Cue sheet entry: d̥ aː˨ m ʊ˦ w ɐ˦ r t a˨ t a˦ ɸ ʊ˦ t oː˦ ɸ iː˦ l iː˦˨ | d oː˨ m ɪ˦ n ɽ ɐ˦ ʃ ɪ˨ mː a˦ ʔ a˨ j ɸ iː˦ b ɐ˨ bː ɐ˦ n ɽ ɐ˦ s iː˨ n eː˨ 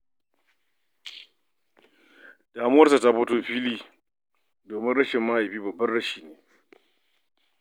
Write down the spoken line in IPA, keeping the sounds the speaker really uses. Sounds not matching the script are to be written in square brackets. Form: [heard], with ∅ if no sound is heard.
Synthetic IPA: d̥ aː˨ m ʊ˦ w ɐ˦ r [s] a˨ t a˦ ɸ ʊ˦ t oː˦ ɸ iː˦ l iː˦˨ | d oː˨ m ɪ˦ n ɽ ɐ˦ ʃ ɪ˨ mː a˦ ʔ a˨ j ɸ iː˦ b ɐ˨ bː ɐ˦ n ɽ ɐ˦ [ʃ] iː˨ n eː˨

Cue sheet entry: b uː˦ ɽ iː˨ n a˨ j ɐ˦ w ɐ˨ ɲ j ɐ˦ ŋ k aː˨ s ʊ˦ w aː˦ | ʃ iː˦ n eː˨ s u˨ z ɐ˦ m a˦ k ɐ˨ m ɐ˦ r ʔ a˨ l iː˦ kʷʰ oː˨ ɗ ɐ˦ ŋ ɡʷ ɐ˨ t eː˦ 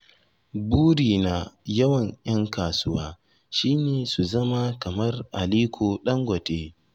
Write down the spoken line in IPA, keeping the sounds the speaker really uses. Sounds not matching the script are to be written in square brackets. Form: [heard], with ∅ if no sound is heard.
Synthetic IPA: b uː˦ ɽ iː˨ n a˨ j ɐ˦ w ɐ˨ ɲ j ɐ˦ ŋ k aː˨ s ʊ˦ w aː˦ | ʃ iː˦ n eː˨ s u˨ z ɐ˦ m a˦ k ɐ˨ m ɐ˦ r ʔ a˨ l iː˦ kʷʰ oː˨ ɗ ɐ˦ ŋ ɡʷ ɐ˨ t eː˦

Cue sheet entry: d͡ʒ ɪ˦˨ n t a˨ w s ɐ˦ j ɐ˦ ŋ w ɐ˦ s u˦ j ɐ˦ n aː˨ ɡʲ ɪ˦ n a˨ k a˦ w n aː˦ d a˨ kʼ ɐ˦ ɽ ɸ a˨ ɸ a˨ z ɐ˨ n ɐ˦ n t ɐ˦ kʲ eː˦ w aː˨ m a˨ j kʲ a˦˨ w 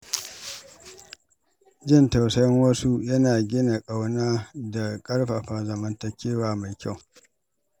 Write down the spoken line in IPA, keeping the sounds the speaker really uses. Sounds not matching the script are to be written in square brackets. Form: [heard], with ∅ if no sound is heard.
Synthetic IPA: d͡ʒ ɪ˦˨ n t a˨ w s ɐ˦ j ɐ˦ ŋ w ɐ˦ s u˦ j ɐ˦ n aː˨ ɡʲ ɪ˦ n a˨ [kʼ] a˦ w n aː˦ d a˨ kʼ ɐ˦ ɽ ɸ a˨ ɸ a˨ z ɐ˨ [m] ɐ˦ n t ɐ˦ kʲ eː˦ w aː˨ m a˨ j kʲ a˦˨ w

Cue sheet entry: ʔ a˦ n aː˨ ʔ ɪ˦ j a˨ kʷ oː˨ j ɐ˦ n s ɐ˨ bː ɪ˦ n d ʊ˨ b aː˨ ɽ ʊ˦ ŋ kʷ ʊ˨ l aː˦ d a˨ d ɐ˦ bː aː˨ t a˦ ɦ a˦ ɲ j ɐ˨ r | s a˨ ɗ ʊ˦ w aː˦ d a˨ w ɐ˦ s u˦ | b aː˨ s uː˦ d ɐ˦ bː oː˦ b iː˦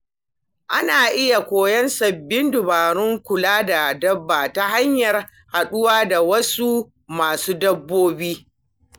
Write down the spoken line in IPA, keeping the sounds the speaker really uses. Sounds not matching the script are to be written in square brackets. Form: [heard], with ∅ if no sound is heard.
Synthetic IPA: ʔ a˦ n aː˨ ʔ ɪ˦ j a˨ kʷ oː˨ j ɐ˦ n s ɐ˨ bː ɪ˦ n d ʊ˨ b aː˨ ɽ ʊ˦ ŋ kʷ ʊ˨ l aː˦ d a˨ d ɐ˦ bː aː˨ t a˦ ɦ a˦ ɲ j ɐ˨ r | [h] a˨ ɗ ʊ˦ w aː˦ d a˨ w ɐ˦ s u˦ | [m] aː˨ s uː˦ d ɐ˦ bː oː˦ b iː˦

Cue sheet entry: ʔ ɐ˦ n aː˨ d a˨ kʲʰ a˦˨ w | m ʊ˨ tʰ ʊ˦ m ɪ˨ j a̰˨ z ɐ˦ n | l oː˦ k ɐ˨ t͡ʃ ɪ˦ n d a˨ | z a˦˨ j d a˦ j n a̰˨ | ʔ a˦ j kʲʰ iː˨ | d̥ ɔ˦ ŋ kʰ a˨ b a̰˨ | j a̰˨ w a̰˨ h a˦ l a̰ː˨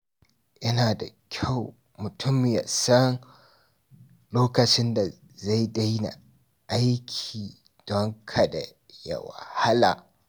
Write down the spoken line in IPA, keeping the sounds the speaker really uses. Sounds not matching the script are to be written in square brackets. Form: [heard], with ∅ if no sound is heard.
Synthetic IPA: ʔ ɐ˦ n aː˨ d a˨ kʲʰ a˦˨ w | m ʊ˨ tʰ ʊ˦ m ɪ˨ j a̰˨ [s] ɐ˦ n | l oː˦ k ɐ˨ t͡ʃ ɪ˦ n d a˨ | z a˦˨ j d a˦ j n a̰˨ | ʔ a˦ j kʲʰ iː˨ | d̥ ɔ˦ ŋ kʰ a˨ [d] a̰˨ | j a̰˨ w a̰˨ h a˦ l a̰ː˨

